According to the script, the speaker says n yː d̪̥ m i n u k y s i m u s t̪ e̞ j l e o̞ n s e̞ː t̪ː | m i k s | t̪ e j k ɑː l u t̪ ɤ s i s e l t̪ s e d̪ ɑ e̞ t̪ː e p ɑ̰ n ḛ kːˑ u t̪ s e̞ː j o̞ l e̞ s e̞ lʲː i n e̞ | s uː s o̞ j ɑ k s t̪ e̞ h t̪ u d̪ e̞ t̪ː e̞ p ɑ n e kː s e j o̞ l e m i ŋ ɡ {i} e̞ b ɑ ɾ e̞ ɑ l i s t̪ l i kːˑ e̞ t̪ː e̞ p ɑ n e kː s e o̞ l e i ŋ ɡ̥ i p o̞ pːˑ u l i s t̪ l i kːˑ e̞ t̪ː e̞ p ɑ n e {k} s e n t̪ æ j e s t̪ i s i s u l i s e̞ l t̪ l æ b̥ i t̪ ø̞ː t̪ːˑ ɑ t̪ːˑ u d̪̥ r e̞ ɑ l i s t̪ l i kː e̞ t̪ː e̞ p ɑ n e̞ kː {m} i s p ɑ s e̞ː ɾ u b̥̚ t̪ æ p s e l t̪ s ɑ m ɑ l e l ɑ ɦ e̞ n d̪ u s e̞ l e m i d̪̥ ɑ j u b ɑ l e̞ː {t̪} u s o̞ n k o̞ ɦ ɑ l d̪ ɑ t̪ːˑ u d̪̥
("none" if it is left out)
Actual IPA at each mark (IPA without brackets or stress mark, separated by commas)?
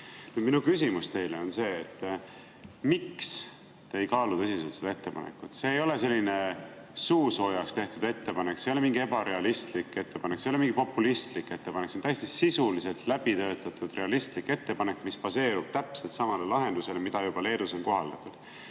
i, k, m, d̪